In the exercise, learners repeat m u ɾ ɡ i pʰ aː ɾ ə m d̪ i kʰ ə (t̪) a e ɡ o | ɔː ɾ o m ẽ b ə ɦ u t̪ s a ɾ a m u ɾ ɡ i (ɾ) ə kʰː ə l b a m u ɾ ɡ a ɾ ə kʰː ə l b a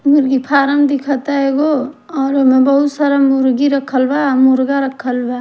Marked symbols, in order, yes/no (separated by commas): yes, yes